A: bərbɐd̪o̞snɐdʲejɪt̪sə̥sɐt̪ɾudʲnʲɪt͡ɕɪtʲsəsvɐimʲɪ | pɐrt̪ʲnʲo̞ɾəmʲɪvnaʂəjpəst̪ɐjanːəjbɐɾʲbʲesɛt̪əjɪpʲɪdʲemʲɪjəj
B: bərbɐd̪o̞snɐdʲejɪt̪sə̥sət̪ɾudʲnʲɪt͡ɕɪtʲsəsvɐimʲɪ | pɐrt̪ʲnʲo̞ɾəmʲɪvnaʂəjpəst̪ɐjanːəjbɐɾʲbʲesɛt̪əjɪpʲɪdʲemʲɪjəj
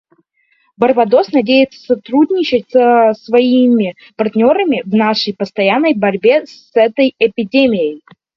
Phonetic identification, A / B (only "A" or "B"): A